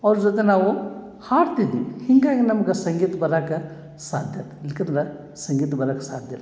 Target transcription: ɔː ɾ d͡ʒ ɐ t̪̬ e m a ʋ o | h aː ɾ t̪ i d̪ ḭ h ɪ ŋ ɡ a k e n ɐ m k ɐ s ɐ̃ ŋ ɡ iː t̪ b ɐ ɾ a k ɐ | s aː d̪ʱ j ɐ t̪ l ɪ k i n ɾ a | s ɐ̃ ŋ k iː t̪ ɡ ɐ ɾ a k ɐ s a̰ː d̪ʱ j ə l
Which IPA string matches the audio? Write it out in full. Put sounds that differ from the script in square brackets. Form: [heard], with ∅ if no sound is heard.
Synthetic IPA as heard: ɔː ɾ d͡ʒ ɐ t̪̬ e [n] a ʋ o | h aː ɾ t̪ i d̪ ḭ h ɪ ŋ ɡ a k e n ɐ m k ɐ s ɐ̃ ŋ ɡ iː t̪ b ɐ ɾ a k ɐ | s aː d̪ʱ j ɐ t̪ l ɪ k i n ɾ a | s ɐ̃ ŋ [ɡ] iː t̪ [b] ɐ ɾ a k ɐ s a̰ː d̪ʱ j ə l